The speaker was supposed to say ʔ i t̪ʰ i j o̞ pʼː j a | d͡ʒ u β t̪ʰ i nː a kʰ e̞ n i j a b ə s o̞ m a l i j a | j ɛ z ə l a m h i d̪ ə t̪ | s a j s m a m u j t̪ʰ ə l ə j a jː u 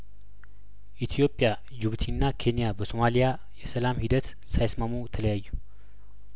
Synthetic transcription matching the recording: ʔ i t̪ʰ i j o̞ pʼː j a | d͡ʒ u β t̪ʰ i nː a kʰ e̞ n i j a b ə s o̞ m a l i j a | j ɛ s ə l a m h i d̪ ə t̪ | s a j s m a m u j t̪ʰ ə l ə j a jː u